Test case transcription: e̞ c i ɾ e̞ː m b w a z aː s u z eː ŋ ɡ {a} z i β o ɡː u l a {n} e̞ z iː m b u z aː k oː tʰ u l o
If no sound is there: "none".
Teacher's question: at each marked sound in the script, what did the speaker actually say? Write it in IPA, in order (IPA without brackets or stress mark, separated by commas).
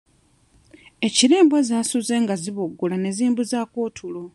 a, n